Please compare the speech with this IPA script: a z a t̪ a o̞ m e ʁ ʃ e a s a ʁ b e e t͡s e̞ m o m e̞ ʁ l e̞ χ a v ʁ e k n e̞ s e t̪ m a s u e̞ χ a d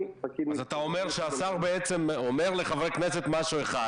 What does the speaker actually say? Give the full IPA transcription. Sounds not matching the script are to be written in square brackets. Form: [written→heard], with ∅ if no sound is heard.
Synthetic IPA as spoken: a z a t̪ a o̞ m e ʁ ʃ e a s a ʁ b e e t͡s e̞ m o m e̞ ʁ l e̞ χ a v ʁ e k n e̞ s e t̪ m a [s→ʃ] u e̞ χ a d